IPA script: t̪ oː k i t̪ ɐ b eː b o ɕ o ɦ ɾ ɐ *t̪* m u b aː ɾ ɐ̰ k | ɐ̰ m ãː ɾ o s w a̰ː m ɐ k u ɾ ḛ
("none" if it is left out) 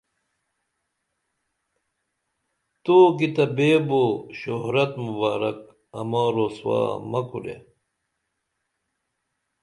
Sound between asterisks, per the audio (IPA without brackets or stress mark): t̪